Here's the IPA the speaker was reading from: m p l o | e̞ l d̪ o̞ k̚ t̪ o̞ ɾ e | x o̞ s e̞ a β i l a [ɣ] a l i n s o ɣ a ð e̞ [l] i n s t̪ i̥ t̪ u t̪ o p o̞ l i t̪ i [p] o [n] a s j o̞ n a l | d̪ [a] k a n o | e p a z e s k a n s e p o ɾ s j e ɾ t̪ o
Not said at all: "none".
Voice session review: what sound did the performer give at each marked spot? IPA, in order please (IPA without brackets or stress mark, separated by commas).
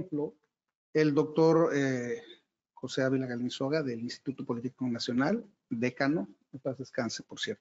ɣ, l, k, n, e